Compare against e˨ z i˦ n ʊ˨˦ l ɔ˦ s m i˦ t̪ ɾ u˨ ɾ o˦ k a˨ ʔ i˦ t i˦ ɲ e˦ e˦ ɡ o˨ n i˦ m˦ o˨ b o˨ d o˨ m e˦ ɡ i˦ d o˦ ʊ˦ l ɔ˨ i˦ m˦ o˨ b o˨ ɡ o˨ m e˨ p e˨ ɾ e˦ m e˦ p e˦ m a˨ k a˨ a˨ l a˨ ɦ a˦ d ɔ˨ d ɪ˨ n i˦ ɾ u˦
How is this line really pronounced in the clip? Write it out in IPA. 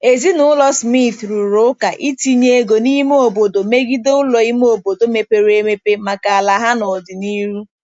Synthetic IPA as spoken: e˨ z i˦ n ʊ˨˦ l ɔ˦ s m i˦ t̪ ɾ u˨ ɾ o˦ k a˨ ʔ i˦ t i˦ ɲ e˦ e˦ ɡ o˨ n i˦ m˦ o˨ b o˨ d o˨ m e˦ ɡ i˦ d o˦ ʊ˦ l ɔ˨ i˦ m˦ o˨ b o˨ d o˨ m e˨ p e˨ ɾ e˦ m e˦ p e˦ m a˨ k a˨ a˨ l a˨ ɦ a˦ n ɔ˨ d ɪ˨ n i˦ ɾ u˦